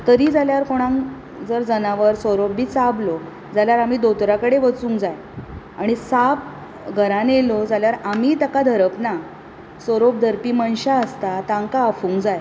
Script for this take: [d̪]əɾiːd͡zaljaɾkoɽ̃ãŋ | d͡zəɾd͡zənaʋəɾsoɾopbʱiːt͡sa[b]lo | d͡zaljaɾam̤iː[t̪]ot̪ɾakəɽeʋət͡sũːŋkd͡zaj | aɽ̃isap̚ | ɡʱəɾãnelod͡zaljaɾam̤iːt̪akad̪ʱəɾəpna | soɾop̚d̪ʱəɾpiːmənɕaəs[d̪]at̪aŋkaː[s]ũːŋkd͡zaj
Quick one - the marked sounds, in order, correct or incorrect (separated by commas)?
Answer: incorrect, correct, incorrect, incorrect, incorrect